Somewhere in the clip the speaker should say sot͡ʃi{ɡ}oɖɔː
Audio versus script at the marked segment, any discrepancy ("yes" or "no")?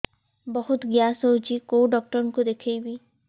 yes